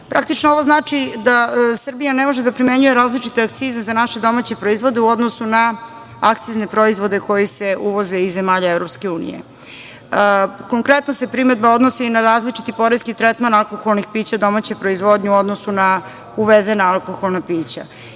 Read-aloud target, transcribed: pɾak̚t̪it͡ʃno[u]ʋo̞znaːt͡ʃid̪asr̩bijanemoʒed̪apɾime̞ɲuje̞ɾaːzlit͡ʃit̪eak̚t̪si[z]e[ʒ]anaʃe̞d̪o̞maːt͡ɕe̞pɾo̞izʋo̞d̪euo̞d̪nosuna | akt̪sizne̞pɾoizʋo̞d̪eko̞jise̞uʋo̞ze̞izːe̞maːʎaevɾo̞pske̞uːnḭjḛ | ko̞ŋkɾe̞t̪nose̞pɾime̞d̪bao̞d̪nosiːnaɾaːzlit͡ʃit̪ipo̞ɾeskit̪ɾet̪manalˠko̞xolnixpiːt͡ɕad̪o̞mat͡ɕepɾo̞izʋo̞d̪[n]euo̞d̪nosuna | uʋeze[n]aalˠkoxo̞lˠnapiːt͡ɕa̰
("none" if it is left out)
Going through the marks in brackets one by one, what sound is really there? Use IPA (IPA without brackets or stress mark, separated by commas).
o, z, z, ɲ, n